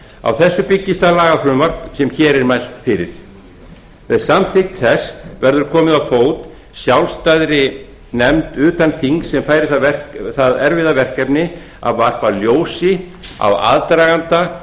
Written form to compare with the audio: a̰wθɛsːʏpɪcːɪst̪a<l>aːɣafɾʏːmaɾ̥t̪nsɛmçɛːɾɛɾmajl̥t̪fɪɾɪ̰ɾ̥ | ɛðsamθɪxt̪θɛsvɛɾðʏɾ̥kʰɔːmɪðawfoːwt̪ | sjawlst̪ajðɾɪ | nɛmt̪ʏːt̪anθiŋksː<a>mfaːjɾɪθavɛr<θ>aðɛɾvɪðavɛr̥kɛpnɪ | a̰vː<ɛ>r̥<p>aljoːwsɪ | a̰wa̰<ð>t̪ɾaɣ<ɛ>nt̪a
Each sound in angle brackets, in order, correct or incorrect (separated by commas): correct, incorrect, correct, incorrect, correct, correct, incorrect